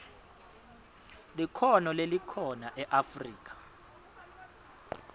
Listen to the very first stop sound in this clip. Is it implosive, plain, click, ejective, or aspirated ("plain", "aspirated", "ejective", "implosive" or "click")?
aspirated